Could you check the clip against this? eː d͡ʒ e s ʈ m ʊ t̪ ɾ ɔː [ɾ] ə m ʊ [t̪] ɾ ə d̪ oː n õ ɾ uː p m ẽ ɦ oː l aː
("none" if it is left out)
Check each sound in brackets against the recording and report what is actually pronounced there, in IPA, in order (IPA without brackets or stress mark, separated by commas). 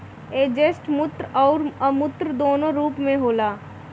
ɾ, t̪